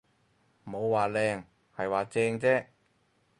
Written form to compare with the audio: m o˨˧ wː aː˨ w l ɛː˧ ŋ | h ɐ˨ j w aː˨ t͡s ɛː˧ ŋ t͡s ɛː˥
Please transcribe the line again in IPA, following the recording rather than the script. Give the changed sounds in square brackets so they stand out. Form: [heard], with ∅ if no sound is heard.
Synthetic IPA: m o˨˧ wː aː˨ [∅] l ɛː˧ ŋ | h ɐ˨ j w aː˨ t͡s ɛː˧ ŋ t͡s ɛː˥